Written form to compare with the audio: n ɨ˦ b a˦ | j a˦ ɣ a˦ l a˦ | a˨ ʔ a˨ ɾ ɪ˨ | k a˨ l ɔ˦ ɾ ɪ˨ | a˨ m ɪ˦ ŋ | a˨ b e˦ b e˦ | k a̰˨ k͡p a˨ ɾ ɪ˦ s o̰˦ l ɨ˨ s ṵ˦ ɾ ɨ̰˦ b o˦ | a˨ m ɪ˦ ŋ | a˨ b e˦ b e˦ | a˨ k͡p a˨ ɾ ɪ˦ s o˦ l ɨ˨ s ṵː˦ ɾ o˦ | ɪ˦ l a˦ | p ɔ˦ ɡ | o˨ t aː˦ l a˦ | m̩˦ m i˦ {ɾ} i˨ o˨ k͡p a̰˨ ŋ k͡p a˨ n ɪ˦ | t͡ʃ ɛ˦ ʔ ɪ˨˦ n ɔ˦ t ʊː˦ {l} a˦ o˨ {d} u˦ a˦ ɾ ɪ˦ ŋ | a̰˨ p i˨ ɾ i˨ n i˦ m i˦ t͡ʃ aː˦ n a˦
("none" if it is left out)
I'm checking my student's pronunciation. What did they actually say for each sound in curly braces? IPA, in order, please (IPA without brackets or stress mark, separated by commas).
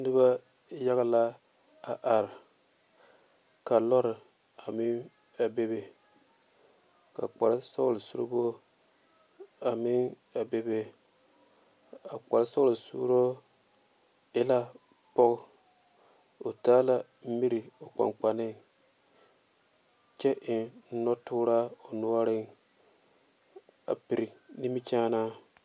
ɾ, ɾ, n